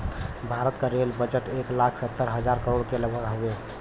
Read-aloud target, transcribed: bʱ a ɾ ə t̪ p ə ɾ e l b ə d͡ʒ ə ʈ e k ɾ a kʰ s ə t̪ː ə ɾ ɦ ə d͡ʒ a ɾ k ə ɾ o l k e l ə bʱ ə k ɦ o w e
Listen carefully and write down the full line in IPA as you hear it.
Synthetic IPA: bʱ a ɾ ə t̪ k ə ɾ e l b ə d͡ʒ ə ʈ e k l a kʰ s ə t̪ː ə ɾ ɦ ə d͡ʒ a ɾ k ə ɾ o ɽ k e l ə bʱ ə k ɦ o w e